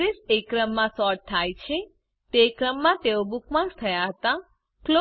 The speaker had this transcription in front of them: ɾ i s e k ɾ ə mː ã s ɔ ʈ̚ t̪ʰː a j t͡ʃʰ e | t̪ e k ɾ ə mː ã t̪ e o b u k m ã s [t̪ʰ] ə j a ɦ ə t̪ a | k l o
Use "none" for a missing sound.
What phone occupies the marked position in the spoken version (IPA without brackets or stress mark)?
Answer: t̪ʰ